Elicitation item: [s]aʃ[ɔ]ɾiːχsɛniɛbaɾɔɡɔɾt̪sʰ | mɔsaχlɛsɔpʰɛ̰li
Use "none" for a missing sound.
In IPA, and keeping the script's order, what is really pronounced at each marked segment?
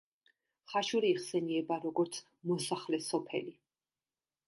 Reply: χ, u

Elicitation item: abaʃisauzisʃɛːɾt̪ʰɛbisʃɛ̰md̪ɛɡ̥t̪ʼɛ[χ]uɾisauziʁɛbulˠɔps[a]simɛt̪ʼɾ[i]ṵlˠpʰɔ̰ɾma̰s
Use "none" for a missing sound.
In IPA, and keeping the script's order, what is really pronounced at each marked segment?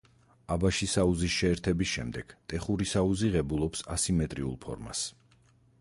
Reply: χ, a, i

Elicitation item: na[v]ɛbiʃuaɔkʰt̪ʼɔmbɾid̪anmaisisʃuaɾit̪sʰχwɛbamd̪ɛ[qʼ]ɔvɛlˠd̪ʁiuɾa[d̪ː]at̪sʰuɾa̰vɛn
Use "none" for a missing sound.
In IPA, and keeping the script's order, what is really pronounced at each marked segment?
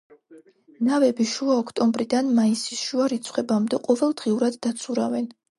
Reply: v, qʼ, d̪ː

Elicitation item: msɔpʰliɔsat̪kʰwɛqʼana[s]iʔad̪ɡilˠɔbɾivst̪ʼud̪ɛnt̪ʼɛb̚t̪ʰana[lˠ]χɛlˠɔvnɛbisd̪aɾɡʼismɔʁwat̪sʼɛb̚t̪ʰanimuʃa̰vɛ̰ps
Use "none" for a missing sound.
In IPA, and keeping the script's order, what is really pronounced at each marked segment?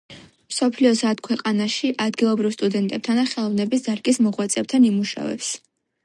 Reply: ʃ, none

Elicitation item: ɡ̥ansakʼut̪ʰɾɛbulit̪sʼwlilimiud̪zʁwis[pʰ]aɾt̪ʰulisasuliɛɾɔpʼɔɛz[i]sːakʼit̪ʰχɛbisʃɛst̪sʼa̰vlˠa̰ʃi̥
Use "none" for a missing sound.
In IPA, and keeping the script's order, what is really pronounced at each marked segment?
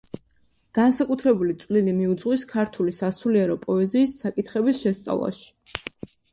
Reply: kʰ, iː

